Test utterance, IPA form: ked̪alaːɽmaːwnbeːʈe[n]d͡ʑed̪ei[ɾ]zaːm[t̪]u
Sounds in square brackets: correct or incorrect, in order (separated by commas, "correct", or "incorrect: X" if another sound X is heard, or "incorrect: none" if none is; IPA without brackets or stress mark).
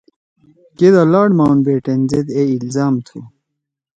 correct, incorrect: l, incorrect: t̪ʰ